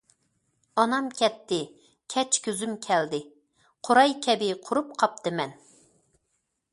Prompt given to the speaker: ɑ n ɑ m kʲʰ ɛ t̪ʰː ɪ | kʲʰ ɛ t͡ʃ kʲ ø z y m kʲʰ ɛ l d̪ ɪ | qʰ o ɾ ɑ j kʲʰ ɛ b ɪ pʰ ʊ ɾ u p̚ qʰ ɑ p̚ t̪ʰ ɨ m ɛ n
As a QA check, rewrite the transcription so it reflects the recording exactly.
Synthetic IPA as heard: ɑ n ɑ m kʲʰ ɛ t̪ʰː ɪ | kʲʰ ɛ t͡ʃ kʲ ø z y m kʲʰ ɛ l d̪ ɪ | qʰ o ɾ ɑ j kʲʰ ɛ b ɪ qʰ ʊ ɾ u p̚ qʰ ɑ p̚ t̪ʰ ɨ m ɛ n

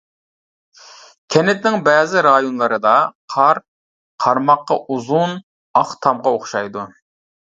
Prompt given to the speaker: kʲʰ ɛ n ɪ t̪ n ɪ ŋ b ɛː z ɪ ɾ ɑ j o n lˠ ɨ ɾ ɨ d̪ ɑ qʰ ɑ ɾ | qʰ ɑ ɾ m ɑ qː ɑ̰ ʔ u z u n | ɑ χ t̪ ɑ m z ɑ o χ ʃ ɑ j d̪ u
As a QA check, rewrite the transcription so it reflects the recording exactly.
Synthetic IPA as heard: kʲʰ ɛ n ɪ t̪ n ɪ ŋ b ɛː z ɪ ɾ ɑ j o n lˠ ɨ ɾ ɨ d̪ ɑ qʰ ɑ ɾ | qʰ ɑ ɾ m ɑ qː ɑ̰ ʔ u z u n | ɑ χ t̪ʰ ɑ m ʁ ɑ o χ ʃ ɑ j d̪ u

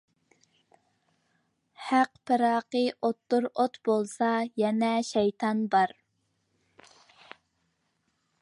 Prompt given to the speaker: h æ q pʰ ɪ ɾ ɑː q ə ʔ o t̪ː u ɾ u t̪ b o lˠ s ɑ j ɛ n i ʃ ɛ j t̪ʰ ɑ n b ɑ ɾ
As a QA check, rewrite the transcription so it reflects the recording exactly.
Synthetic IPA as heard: h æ q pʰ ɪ ɾ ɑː q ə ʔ o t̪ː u ɾ o t̪ b o lˠ s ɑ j ɛ n ɛ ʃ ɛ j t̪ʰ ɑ n b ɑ ɾ

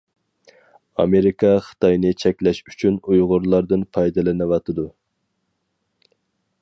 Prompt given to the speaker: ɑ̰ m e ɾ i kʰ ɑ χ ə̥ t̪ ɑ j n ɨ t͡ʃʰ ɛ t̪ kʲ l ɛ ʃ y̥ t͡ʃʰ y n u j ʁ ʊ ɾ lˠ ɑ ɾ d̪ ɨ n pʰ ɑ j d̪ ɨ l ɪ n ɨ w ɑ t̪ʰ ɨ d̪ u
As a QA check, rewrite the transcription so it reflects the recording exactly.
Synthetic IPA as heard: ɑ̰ m e ɾ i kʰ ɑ χ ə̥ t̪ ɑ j n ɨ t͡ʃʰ ɛ kʲ l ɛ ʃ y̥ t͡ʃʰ y n u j ʁ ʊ ɾ lˠ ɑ ɾ d̪ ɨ n pʰ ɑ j d̪ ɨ l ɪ n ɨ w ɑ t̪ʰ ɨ d̪ u

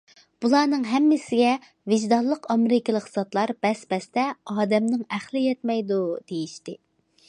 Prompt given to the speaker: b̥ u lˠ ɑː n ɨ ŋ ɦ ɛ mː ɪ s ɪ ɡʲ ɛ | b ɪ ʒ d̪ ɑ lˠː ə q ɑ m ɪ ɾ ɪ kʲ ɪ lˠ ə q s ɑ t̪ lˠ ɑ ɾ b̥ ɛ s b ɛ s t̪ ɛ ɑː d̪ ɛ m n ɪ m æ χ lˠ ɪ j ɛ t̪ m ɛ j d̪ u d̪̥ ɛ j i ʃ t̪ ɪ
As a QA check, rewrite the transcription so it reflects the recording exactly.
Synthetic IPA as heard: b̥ u lˠ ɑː n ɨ ŋ ɦ ɛ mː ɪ s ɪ ɡʲ ɛ | v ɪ ʒ d̪ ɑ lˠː ə q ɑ m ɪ ɾ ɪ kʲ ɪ lˠ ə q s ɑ t̪ lˠ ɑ ɾ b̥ ɛ s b ɛ s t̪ ɛ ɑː d̪ ɛ m n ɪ ŋ æ χ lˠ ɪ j ɛ t̪ m ɛ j d̪ u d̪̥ e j i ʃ t̪ ɪ

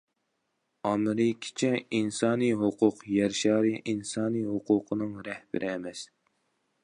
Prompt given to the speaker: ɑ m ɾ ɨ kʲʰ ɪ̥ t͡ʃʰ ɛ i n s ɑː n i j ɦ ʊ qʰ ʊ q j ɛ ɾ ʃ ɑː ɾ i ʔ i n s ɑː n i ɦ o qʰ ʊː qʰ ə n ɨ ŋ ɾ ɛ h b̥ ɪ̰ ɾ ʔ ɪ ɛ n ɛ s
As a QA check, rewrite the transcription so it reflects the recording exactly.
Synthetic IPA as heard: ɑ m ɾ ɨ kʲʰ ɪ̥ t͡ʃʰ ɛ i n s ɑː n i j ɦ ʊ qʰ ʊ q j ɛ ɾ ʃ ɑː ɾ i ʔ i n s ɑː n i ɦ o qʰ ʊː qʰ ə n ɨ ŋ ɾ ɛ h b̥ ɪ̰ ɾ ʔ ɪ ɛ m ɛ s

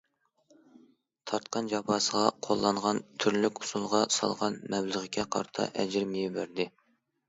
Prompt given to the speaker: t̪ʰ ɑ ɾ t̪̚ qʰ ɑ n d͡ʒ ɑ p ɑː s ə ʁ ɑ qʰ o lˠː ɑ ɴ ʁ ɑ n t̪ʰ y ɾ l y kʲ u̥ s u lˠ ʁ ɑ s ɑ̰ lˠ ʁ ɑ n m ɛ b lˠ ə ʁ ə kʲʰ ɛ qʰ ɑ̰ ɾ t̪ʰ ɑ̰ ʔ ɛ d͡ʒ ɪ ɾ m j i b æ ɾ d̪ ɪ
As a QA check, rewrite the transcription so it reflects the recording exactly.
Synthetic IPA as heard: t̪ʰ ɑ ɾ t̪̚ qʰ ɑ n d͡ʒ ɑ p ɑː s ə ʁ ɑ qʰ o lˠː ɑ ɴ ʁ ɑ n t̪ʰ y ɾ l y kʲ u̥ s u lˠ ʁ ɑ s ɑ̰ lˠ ʁ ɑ n m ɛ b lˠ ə ʁ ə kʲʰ ɛ qʰ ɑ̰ ɾ t̪ʰ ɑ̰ ʔ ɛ d͡ʒ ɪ ɾ m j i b æ ɾ d̪ ɪ

